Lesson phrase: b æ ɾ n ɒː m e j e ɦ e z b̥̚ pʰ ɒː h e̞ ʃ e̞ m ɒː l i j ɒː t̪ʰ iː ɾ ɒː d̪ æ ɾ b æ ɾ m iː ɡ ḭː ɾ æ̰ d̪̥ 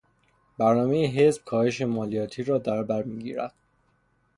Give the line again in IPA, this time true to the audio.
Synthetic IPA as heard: b æ ɾ n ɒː m e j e ɦ e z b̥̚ kʰ ɒː h e̞ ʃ e̞ m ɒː l i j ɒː t̪ʰ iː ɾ ɒː d̪ æ ɾ b æ ɾ m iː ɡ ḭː ɾ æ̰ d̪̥

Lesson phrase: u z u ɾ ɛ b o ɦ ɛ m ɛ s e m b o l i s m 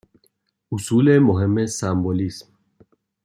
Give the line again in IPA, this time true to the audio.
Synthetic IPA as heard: u s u l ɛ m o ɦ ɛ m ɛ s a m b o l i s m

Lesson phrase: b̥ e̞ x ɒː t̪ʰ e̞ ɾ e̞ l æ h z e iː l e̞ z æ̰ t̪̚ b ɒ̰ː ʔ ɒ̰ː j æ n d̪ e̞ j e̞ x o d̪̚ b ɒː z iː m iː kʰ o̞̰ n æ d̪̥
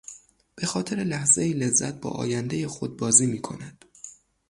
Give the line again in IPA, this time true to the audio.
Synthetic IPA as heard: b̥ e̞ x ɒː t̪ʰ e̞ ɾ e̞ l æ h z e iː l e̞ zː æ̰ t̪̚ b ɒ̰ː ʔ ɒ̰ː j æ n d̪ e̞ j e̞ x o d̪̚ b ɒː z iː m iː kʰ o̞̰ n æ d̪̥

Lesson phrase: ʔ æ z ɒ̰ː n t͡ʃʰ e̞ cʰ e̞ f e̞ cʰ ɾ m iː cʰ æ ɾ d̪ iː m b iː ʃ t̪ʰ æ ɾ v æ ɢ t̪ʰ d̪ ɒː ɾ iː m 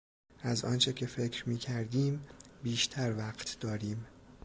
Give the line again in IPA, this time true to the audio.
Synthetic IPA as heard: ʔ æ z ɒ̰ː n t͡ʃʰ e̞ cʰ e̞ f e̞ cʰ ɾ m iː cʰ æ ɾ d̪ iː m b iː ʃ t̪ʰ æ ɾ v æ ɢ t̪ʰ d̪ ɒː ɾ iː m

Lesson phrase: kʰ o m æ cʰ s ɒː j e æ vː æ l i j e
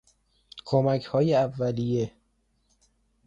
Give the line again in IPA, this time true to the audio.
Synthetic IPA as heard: kʰ o m æ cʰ h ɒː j e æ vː æ l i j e

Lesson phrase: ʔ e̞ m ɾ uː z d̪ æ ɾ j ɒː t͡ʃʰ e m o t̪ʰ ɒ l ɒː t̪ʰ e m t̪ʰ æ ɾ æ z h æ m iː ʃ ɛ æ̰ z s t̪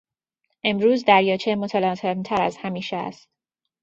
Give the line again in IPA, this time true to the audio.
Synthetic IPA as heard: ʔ e̞ m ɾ uː z d̪ æ ɾ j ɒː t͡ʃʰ e m o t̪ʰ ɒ l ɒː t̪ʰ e m t̪ʰ æ ɾ æ z h æ m iː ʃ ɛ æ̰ s t̪

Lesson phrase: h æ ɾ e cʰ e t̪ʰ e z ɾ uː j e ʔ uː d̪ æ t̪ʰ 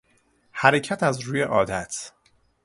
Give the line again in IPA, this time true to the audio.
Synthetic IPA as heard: h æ ɾ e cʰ æ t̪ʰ æ z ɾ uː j e ʔ ɒː d̪ æ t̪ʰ

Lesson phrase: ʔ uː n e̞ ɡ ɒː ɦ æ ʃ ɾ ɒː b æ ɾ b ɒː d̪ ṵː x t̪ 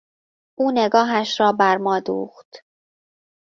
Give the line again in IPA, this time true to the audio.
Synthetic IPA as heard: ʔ uː n e̞ ɡ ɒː ɦ æ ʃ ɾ ɒː b æ ɾ m ɒː d̪ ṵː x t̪

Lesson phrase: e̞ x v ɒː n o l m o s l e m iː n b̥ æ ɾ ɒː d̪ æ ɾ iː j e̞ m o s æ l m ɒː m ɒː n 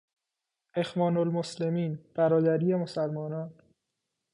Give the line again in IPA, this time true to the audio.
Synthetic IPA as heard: e̞ x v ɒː n o l m o s l e m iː n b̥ æ ɾ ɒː d̪ æ ɾ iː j e̞ m o s æ l m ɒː n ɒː n

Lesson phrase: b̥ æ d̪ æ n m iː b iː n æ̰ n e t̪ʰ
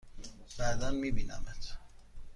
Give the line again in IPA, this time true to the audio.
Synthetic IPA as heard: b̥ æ d̪ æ n m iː b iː n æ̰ m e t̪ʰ

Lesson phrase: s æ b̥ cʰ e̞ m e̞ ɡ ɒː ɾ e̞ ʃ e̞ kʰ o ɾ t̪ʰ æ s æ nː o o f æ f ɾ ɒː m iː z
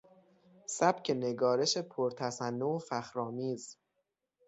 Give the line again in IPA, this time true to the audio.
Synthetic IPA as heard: s æ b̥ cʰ e̞ n e̞ ɡ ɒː ɾ e̞ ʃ e̞ pʰ o ɾ t̪ʰ æ s æ nː o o f æ x ɾ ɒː m iː z

